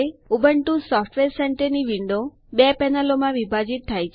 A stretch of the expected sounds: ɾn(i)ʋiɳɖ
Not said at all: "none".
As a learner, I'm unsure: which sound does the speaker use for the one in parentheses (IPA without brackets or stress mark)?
i